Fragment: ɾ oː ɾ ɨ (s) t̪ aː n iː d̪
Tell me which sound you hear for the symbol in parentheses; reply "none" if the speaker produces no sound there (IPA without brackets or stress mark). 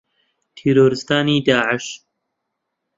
s